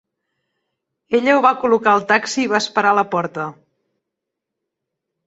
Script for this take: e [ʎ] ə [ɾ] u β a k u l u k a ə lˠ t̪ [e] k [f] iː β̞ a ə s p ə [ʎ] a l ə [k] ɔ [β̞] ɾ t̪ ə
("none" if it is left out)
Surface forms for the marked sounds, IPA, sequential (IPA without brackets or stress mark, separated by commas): ʎ, none, a, s, ɾ, p, none